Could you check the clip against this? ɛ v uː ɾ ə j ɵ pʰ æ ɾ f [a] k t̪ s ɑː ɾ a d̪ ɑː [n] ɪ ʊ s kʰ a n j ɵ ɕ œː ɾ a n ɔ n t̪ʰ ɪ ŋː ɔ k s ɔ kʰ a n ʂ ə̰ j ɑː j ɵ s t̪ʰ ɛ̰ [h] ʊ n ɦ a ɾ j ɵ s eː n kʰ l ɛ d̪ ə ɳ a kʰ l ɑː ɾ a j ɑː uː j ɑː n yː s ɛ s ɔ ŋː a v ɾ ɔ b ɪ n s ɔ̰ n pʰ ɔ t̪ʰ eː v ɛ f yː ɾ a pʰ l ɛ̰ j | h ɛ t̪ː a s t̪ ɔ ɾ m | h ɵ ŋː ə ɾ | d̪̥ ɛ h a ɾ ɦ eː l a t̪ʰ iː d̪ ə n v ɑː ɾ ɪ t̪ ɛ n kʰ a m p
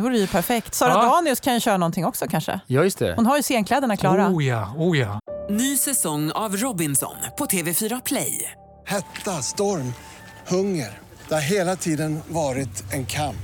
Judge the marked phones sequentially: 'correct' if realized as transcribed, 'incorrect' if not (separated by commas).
incorrect, correct, correct